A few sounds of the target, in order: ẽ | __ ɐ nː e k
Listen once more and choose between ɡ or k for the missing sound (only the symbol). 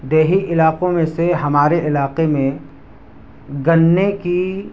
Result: ɡ